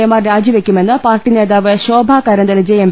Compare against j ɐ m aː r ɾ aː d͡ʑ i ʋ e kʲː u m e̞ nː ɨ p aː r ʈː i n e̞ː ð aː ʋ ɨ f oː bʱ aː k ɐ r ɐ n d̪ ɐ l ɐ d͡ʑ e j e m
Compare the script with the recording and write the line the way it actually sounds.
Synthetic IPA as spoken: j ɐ m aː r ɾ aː d͡ʑ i ʋ e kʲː u m e̞ nː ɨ p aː r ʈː i n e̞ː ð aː ʋ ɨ ɕ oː bʱ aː k ɐ ɾ ɐ n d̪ ɐ l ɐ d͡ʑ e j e m